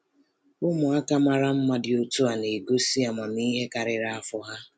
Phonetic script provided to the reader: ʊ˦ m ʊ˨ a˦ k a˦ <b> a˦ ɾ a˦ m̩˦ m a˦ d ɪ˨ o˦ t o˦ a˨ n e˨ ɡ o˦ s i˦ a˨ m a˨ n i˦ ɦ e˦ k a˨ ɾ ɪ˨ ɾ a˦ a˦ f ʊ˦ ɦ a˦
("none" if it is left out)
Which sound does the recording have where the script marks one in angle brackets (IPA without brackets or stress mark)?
m